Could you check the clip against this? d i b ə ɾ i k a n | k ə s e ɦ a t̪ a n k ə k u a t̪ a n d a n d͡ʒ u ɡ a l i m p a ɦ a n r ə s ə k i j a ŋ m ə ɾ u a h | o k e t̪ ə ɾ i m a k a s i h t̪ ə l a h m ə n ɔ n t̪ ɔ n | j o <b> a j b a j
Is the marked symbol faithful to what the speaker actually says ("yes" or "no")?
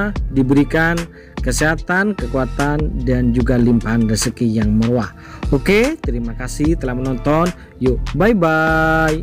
yes